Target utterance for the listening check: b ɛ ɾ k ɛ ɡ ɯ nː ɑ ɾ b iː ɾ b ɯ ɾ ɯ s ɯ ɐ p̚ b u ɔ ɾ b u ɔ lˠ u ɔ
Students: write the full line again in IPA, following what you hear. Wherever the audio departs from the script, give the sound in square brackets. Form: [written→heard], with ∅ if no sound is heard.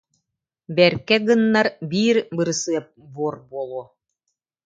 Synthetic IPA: b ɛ ɾ k ɛ ɡ ɯ nː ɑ ɾ b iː ɾ b ɯ ɾ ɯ s ɯ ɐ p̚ b u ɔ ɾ b u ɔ lˠ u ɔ